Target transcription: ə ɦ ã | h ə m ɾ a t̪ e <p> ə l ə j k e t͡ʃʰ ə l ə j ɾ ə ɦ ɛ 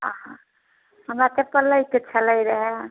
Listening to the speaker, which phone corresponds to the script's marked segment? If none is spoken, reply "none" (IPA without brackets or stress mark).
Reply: p